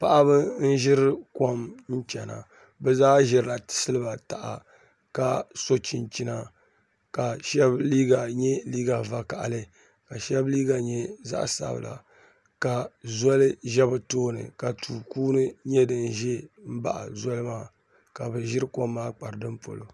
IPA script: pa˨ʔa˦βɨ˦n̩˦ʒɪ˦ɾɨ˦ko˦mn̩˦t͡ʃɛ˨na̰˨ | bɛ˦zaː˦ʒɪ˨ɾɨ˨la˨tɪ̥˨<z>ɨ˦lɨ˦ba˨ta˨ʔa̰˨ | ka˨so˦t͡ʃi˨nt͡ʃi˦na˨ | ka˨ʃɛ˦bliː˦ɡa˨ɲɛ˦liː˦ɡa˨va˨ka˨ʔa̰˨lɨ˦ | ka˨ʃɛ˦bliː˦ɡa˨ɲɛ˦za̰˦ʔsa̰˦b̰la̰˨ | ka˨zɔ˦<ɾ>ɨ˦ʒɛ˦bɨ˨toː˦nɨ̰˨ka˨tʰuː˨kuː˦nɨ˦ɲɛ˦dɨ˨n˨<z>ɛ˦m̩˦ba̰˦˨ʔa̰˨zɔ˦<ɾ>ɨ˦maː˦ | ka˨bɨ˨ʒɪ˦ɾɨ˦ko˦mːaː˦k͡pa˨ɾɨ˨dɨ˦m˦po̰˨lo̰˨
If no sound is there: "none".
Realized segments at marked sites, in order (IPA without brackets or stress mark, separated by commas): s, l, ʒ, l